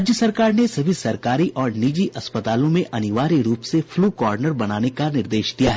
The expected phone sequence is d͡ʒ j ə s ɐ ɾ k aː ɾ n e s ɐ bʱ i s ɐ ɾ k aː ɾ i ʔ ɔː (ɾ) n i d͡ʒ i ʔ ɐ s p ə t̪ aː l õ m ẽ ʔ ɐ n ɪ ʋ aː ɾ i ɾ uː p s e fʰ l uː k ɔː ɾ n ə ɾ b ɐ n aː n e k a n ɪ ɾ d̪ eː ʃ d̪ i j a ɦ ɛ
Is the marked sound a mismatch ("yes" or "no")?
no